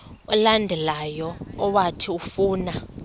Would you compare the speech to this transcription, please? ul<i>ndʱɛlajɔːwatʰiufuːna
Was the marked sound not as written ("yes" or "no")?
yes